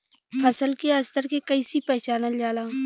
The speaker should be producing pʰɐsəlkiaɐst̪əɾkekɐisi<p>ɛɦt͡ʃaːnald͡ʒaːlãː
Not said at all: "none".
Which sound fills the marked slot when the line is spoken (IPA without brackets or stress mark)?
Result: p